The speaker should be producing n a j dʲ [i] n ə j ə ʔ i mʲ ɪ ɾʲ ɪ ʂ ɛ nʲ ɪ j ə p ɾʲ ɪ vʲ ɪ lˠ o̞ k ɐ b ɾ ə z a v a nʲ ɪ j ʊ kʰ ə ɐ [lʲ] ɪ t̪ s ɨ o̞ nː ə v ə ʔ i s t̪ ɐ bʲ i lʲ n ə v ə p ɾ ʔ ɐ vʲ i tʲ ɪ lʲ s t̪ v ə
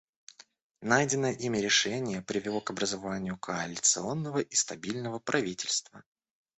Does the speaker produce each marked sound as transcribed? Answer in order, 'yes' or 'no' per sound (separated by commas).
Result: no, yes